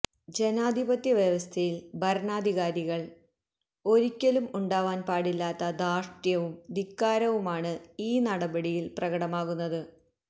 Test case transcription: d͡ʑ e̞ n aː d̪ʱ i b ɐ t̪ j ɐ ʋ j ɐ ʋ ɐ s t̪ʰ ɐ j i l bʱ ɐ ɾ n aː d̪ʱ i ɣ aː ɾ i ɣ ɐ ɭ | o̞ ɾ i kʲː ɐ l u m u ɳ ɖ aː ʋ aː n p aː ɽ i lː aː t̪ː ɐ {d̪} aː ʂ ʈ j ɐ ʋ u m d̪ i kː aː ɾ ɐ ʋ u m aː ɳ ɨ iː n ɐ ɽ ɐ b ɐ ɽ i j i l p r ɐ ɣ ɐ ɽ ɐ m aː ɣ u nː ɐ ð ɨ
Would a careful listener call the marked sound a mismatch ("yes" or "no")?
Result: no